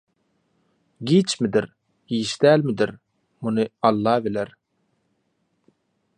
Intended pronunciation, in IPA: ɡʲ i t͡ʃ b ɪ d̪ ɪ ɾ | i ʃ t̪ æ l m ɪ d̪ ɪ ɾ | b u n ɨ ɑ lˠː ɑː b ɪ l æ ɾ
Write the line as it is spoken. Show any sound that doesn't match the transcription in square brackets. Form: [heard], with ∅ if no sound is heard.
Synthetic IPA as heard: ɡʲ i t͡ʃ [m] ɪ d̪ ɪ ɾ | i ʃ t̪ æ l m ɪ d̪ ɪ ɾ | [m] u n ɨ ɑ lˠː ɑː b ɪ l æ ɾ